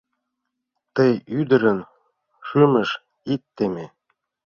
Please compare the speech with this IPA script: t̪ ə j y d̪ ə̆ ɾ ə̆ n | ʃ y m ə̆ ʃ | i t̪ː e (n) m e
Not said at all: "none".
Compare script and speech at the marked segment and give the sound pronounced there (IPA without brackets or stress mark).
none